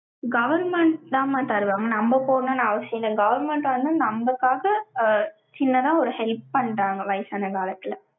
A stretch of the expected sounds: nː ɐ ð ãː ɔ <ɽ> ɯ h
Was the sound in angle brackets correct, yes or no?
no